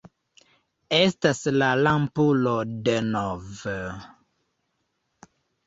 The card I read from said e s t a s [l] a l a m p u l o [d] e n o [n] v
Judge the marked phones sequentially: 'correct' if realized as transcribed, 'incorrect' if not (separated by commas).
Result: correct, correct, incorrect